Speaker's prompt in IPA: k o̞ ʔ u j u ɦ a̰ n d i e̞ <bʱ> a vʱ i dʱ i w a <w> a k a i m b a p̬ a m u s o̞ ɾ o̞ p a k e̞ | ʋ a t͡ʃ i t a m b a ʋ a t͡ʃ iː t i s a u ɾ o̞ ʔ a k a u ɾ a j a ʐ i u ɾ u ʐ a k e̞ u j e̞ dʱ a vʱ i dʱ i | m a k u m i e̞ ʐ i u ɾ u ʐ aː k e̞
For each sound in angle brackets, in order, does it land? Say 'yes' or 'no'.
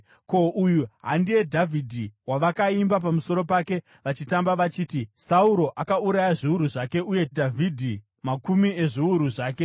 no, no

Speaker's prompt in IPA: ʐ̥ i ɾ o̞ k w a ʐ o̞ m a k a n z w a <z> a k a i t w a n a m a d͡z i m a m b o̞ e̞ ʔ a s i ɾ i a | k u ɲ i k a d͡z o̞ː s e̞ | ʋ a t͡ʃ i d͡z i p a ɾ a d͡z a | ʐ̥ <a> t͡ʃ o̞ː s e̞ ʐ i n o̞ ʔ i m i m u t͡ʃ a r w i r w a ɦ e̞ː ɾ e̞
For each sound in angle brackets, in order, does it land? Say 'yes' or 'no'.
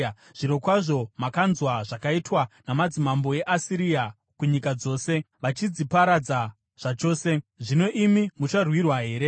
no, yes

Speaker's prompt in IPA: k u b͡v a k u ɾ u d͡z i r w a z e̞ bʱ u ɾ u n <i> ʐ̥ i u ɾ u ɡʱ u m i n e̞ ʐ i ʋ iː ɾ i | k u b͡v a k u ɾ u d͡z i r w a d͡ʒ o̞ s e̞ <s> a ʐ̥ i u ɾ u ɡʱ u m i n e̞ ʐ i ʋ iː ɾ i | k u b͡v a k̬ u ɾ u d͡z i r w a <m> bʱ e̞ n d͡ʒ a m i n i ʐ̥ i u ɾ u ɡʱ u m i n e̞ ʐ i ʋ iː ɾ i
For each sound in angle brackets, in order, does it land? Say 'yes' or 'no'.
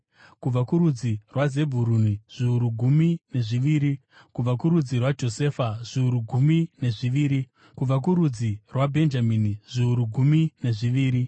yes, no, no

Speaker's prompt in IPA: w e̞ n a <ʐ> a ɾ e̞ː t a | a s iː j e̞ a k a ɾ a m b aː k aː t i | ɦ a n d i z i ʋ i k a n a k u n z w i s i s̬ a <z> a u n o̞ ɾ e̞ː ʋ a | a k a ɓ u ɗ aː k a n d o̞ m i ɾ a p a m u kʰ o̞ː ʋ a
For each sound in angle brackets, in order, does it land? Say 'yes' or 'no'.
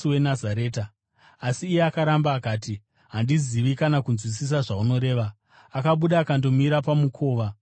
no, no

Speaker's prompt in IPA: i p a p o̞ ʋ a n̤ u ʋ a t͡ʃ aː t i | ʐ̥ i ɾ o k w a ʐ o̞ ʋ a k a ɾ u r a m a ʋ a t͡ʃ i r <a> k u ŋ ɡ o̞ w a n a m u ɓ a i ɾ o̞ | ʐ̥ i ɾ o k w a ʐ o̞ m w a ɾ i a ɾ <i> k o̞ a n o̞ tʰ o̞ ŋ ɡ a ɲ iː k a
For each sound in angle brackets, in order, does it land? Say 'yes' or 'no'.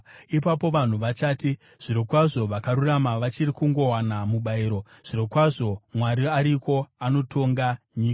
no, yes

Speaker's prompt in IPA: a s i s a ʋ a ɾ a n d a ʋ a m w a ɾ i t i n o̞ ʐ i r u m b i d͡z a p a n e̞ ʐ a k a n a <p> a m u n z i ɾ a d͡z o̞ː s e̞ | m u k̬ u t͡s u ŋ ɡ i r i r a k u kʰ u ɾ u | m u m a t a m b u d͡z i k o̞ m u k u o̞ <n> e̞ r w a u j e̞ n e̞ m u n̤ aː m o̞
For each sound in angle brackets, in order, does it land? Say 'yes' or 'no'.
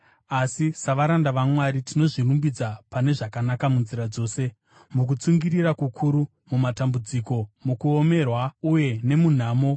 no, no

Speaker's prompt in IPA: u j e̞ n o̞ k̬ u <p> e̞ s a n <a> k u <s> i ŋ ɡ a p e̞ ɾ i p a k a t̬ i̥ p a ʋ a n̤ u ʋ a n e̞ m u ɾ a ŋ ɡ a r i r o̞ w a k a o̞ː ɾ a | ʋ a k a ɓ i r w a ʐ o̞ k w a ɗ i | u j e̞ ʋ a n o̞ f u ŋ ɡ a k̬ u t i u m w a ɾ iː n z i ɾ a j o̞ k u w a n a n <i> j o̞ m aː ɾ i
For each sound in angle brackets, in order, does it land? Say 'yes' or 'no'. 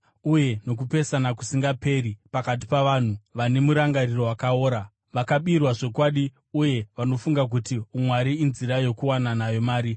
yes, yes, yes, no

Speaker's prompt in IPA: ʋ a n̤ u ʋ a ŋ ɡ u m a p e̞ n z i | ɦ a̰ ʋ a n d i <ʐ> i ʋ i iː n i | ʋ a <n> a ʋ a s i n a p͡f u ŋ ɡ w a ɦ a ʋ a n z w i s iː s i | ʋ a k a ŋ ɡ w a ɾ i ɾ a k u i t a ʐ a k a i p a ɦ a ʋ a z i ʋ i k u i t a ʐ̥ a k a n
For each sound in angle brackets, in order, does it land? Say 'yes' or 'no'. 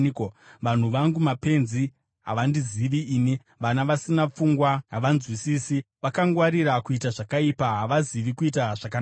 no, yes

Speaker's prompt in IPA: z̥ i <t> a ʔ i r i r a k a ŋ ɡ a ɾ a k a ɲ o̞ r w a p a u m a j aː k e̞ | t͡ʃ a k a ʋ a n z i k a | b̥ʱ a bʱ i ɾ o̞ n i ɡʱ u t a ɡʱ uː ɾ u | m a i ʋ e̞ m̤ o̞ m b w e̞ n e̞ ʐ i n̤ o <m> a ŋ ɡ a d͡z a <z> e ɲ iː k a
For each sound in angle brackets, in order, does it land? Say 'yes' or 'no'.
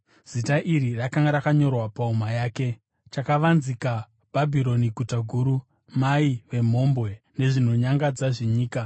yes, no, no

